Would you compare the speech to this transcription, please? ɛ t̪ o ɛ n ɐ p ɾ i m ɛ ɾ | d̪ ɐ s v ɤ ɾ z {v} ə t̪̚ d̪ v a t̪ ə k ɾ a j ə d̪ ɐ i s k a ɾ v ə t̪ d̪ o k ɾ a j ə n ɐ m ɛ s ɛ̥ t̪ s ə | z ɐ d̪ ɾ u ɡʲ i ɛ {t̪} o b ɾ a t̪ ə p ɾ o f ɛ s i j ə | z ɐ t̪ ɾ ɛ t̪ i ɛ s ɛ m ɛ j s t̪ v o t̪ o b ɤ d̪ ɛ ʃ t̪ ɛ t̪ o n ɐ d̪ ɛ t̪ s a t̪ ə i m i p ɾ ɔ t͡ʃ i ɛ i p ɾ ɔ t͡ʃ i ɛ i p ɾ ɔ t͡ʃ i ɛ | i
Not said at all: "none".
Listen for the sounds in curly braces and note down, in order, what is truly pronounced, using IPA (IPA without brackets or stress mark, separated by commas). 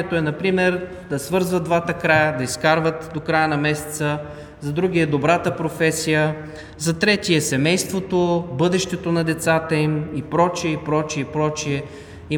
v, d̪